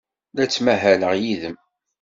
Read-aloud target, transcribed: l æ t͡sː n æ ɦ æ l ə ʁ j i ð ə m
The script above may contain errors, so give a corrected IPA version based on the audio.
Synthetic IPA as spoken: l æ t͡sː m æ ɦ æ l ə ʁ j i ð ə m